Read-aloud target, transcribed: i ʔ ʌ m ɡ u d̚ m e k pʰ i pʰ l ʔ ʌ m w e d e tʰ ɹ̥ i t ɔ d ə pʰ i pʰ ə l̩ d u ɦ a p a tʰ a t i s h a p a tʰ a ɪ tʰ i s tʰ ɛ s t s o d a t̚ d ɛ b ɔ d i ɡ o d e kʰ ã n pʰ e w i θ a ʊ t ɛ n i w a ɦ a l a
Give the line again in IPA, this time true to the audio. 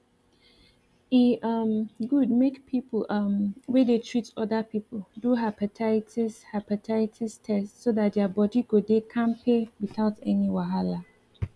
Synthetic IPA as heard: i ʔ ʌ m ɡ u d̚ m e k pʰ i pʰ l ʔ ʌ m w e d e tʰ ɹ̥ i t ɔ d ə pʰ i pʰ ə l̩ d u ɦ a p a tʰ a t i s h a p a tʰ a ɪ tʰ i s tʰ ɛ s t s o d a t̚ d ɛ b ɔ d i ɡ o d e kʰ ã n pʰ e w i θ a ʊ t ɛ n i w a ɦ a l a

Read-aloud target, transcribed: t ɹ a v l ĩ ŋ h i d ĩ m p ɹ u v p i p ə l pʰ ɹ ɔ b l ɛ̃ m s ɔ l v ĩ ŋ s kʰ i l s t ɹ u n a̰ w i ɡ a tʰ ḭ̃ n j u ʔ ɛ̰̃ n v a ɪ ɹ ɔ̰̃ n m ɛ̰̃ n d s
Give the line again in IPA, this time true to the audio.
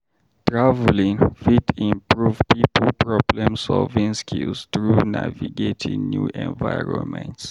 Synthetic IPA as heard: t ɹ a v l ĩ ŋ f i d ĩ m p ɹ u v p i p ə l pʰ ɹ ɔ b l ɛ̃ m s ɔ l v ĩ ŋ s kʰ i l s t ɹ u n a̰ v i ɡ e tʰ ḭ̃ n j u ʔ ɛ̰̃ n v a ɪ ɹ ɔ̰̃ n m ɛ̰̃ n t s

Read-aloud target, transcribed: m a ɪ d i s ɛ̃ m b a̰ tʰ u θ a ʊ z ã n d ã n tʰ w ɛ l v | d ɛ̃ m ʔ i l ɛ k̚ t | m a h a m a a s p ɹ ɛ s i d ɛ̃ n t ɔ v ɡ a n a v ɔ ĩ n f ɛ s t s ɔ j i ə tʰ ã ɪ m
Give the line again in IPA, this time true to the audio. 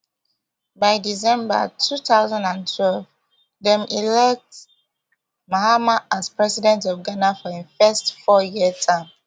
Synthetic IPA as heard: b a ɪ d i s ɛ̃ m b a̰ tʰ u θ a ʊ z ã n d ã n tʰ w ɛ l v | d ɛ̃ m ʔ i l ɛ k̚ t | m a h a m a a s p ɹ ɛ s i d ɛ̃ n t ɔ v ɡ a n a f ɔ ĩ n f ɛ s t f ɔ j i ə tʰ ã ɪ m

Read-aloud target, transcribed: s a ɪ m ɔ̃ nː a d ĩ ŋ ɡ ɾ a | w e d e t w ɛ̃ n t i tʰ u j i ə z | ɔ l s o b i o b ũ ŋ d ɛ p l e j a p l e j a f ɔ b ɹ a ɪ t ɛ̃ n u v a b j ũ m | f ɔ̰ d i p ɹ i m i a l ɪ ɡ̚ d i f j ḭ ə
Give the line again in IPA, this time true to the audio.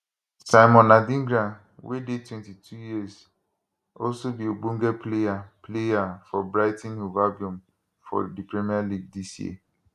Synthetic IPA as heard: s a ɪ m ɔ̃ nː a d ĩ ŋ ɡ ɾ a | w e d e t w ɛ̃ n t i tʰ u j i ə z | ɔ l s o b i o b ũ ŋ ɡ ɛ p l e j a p l e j a f ɔ b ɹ a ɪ t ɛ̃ n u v a b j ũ m | f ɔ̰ d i p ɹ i m i a l i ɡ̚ d i s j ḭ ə

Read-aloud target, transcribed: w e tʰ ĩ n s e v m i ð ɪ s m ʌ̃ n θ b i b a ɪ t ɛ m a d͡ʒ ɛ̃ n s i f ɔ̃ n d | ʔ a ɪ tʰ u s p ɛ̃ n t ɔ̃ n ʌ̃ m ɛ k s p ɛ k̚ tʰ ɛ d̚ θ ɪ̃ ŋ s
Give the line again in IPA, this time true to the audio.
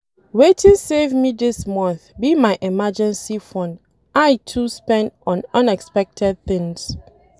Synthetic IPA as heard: w e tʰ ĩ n s e v m i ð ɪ s m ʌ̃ n θ b i m a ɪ ʔ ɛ m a d͡ʒ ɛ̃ n s i f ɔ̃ n d | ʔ a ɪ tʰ u s p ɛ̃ n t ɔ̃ n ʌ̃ n ɛ k s p ɛ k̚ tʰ ɛ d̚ θ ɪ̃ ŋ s

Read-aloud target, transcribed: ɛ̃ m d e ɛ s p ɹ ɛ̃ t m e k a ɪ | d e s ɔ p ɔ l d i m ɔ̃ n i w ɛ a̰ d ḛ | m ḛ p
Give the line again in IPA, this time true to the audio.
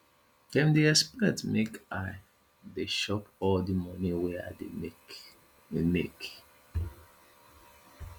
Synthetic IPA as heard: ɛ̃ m d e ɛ s p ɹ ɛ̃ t m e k a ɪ | d e ʃ ɔ p ɔ l d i m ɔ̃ n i w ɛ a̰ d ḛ | m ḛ k

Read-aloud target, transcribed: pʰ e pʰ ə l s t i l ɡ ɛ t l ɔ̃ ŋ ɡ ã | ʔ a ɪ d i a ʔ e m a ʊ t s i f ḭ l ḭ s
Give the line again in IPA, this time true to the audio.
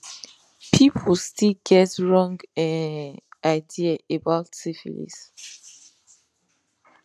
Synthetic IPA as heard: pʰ i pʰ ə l s t i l ɡ ɛ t ɹ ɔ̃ ŋ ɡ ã | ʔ a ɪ d i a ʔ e b a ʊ t s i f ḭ l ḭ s

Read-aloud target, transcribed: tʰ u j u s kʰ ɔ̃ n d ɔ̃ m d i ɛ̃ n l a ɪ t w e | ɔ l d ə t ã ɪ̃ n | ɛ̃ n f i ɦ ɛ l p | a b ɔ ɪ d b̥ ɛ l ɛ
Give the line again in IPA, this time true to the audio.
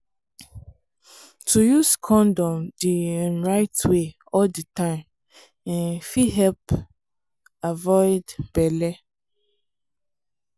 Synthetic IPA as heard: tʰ u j u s kʰ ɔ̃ n d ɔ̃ m d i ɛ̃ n ɹ a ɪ t w e | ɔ l d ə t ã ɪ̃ m | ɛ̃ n f i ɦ ɛ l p | a v ɔ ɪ d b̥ ɛ l ɛ

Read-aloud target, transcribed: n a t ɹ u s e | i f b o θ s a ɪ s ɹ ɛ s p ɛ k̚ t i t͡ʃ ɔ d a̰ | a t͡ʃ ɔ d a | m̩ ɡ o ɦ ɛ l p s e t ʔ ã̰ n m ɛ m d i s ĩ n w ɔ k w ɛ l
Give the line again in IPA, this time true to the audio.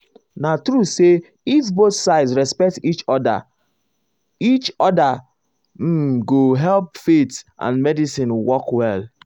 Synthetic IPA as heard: n a t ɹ u s e | i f b o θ s a ɪ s ɹ ɛ s p ɛ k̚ t i t͡ʃ ɔ d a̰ | i t͡ʃ ɔ d a | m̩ ɡ o ɦ ɛ l p f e t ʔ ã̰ n m ɛ d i s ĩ n w ɔ k w ɛ l

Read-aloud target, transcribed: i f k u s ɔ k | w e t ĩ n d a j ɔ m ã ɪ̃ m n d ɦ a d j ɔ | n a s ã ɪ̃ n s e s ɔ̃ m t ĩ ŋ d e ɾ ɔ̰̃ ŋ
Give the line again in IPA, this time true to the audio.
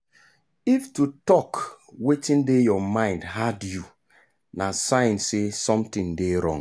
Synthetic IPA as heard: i f t u t ɔ k | w e t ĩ n d e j ɔ m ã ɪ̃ n d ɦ a d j u | n a s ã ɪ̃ n s e s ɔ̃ m t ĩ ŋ d e ɾ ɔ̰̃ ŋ

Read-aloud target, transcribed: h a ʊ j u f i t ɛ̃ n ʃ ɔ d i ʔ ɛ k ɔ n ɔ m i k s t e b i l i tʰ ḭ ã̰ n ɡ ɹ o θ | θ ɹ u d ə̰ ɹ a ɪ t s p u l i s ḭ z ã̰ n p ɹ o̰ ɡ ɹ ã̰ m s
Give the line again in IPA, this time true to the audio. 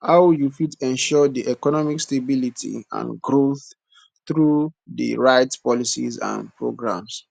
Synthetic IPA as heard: h a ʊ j u f i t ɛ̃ n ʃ ɔ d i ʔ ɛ k ɔ n ɔ m i k s t e b i l i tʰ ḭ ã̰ n ɡ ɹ o θ | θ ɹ u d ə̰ ɹ a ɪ t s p ɔ l i s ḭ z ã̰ n p ɹ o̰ ɡ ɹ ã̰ m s

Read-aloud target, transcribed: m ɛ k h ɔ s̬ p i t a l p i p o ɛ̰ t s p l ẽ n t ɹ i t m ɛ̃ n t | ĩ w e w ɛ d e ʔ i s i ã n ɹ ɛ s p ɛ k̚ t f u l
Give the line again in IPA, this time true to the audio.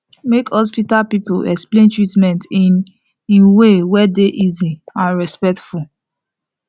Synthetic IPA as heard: m e k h ɔ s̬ p i t a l p i p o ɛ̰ k s p l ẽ n t ɹ i t m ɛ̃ n t | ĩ w e w ɛ d e ʔ i z i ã n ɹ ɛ s p ɛ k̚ t f u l

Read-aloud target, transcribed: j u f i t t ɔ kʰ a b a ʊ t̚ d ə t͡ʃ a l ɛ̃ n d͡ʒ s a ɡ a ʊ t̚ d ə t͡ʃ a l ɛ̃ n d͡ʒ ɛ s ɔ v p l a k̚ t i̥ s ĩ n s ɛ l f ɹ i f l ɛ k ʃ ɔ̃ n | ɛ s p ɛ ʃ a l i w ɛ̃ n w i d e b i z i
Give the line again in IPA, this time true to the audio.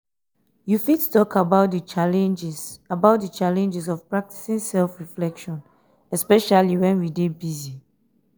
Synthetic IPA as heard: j u f i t t ɔ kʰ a b a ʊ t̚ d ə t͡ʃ a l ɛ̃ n d͡ʒ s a b a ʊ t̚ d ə t͡ʃ a l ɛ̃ n d͡ʒ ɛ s ɔ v p ɹ a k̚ t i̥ s ĩ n s ɛ l f ɹ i f l ɛ k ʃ ɔ̃ n | ɛ s p ɛ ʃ a l i w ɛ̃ n w i d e b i z i

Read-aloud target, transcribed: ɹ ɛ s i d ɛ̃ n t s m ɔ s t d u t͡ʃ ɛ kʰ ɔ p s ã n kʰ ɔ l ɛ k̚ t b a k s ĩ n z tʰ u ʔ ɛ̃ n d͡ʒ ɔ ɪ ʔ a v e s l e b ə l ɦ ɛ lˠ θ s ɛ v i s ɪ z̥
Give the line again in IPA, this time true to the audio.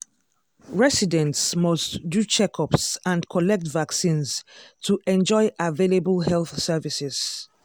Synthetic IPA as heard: ɹ ɛ s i d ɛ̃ n t s m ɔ s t d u t͡ʃ ɛ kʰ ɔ p s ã n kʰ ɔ l ɛ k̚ t v a k s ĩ n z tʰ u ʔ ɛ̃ n d͡ʒ ɔ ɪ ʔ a v e l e b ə l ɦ ɛ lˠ θ s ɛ v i s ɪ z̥

